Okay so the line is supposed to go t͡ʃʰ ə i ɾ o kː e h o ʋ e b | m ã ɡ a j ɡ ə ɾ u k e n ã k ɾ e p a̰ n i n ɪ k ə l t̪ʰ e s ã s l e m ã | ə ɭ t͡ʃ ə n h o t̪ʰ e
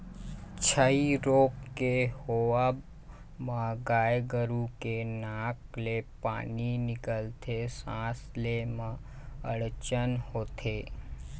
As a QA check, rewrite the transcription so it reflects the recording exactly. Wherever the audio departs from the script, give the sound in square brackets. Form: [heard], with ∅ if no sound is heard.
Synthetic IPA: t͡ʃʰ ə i ɾ o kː e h o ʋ [a] b | m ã ɡ a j ɡ ə ɾ u k e n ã k [l] e p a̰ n i n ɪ k ə l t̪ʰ e s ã s l e m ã | ə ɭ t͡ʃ ə n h o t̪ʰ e

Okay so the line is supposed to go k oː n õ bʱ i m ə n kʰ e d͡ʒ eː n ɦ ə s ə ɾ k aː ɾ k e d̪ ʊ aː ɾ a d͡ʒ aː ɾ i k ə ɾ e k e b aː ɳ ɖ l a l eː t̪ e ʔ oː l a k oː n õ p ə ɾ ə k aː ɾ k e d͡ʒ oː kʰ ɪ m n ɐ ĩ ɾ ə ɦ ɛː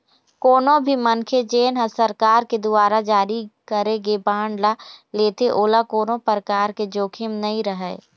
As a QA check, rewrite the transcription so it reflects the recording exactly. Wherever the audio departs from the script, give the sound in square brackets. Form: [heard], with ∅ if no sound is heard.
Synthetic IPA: k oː n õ bʱ i m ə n kʰ e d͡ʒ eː n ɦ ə s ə ɾ k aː ɾ k e d̪ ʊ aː ɾ a d͡ʒ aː ɾ i k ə ɾ e [ɡ] e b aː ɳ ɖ l a l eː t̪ e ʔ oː l a k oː n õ p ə ɾ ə k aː ɾ k e d͡ʒ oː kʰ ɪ m n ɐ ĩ ɾ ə ɦ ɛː

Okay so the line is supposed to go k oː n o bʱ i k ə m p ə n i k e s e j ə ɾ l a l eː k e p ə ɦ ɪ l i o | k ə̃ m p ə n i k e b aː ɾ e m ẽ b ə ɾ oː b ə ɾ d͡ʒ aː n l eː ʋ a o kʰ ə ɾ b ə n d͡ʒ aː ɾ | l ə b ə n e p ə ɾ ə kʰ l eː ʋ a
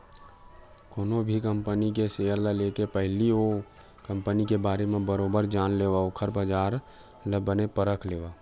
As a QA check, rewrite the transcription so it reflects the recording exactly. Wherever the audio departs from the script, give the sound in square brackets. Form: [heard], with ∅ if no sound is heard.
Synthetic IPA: k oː n o bʱ i k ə m p ə n i k e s e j ə ɾ l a l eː k e p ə ɦ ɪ l i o | k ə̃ m p ə n i k e b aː ɾ e m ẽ b ə ɾ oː b ə ɾ d͡ʒ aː n l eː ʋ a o kʰ ə ɾ b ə [∅] d͡ʒ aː ɾ | l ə b ə n e p ə ɾ ə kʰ l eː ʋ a

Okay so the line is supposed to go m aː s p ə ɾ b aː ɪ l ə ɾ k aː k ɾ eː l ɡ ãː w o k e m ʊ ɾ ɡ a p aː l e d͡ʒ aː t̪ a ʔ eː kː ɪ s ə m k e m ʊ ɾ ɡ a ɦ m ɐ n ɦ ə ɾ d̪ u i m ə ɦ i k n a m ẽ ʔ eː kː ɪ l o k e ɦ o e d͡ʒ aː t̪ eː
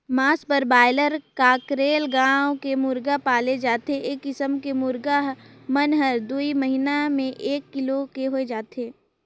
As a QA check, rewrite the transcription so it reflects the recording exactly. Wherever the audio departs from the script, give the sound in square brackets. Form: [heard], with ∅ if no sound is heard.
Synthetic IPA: m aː s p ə ɾ b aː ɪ l ə ɾ k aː k ɾ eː l ɡ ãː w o k e m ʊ ɾ ɡ a p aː l e d͡ʒ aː t̪ [e] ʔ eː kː ɪ s ə m k e m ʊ ɾ ɡ a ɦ m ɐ n ɦ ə ɾ d̪ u i m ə ɦ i [∅] n a m ẽ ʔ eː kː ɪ l o k e ɦ o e d͡ʒ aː t̪ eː

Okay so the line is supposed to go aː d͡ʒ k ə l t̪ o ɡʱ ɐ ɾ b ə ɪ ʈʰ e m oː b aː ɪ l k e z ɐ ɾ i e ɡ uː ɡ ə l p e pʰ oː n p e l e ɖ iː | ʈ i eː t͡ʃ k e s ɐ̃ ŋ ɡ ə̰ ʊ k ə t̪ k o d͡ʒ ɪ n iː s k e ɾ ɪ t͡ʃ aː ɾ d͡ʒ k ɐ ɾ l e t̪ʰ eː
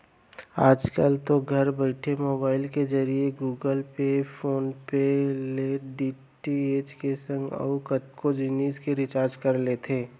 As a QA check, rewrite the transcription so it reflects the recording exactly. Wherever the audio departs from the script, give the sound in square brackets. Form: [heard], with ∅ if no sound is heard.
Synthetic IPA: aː d͡ʒ k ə l t̪ o ɡʱ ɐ ɾ b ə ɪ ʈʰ e m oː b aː ɪ l k e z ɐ ɾ i e ɡ uː ɡ ə l p e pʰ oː n p e l e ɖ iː | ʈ i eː t͡ʃ k e s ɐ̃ ŋ ɡ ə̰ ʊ k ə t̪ k o d͡ʒ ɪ n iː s k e ɾ ɪ t͡ʃ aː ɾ d͡ʒ k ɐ ɾ l e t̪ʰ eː

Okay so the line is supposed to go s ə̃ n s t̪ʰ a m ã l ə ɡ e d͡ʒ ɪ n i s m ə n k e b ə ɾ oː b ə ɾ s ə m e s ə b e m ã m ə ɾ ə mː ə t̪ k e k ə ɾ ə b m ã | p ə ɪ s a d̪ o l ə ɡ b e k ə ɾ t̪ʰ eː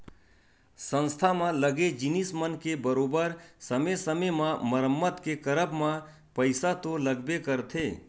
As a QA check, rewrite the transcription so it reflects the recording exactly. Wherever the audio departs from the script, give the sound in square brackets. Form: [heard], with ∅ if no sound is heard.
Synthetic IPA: s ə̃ n s t̪ʰ a m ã l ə ɡ e d͡ʒ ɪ n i s m ə n k e b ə ɾ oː b ə ɾ s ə m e s ə [m] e m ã m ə ɾ ə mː ə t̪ k e k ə ɾ ə b m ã | p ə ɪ s a [t̪] o l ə ɡ b e k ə ɾ t̪ʰ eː

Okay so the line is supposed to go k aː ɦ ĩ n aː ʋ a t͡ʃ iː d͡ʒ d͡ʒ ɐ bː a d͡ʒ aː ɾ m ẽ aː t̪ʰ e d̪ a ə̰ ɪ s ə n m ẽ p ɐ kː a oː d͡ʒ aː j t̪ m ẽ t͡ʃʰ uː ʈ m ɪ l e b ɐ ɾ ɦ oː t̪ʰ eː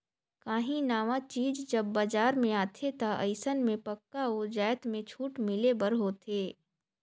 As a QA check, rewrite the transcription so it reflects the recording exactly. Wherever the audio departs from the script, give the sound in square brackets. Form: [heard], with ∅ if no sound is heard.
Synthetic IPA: k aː ɦ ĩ n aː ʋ a t͡ʃ iː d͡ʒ d͡ʒ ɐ bː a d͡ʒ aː ɾ m ẽ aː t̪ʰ e [t̪] a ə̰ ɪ s ə n m ẽ p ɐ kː a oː d͡ʒ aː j t̪ m ẽ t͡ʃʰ uː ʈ m ɪ l e b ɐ ɾ ɦ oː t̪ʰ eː

